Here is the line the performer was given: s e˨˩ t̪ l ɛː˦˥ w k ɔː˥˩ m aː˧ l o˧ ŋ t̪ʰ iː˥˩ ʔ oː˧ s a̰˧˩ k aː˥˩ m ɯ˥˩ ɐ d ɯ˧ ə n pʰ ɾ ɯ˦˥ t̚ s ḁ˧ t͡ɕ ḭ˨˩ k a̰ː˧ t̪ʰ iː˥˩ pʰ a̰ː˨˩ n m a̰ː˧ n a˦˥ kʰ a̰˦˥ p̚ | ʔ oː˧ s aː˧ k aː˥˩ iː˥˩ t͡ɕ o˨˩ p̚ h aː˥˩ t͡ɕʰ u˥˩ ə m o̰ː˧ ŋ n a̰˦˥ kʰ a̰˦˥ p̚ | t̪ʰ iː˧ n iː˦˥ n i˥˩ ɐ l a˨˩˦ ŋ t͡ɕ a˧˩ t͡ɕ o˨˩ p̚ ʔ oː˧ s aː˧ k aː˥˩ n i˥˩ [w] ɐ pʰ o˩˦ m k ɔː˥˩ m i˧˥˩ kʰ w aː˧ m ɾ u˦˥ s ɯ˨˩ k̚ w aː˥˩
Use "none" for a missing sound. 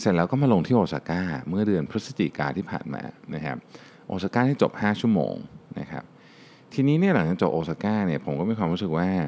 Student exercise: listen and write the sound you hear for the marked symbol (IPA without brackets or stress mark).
none